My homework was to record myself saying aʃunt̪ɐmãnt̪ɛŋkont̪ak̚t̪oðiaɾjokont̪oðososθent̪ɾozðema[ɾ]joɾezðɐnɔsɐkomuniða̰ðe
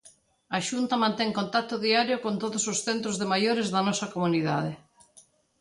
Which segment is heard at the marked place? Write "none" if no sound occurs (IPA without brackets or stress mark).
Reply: none